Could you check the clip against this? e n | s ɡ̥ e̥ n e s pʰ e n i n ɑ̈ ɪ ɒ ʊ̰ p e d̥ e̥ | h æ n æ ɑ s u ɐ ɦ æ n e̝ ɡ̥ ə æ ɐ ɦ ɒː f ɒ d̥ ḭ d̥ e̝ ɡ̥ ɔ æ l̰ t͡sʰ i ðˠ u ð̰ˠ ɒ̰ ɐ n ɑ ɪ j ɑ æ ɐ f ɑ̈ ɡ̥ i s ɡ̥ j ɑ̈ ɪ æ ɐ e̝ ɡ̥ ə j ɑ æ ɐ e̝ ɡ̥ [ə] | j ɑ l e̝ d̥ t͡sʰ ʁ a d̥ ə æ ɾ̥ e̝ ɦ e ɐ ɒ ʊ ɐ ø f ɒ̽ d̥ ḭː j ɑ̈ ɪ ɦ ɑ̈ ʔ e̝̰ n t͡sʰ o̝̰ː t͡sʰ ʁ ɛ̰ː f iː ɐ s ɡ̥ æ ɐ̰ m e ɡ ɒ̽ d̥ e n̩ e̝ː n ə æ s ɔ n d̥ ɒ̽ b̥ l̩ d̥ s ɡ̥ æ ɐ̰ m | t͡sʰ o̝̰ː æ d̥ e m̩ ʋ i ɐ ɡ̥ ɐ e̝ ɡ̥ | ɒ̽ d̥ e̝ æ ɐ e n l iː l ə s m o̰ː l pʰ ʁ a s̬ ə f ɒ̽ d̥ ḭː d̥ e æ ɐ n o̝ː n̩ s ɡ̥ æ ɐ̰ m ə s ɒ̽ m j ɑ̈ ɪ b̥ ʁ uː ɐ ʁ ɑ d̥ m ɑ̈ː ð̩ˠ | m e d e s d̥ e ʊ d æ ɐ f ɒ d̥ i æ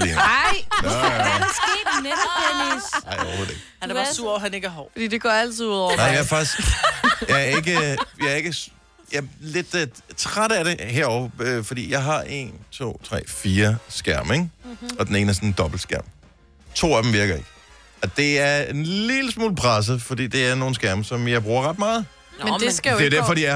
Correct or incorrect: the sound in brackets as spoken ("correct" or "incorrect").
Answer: correct